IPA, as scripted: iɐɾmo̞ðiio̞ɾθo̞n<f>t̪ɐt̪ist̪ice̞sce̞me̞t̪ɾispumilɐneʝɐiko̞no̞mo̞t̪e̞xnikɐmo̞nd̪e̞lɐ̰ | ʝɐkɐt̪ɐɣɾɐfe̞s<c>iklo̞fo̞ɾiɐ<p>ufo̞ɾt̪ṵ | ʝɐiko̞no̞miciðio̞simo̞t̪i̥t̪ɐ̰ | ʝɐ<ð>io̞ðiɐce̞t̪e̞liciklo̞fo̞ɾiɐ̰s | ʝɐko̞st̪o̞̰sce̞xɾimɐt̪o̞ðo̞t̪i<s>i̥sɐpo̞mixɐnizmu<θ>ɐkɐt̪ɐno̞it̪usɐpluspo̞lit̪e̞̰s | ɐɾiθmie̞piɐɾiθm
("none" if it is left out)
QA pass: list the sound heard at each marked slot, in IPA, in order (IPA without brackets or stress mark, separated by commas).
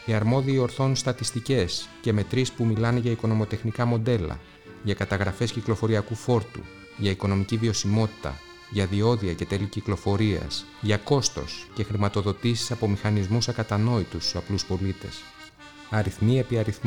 s, c, k, ð, s, s